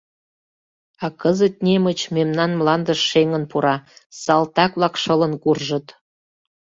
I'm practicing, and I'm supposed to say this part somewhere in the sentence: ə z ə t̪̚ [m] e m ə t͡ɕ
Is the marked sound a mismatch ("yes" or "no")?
yes